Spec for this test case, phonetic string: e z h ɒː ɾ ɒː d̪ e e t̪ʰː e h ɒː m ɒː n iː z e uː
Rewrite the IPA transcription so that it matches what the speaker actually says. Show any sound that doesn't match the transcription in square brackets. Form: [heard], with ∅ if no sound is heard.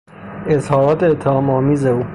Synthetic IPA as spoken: e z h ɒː ɾ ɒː [t̪] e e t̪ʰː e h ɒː m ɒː [m] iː z e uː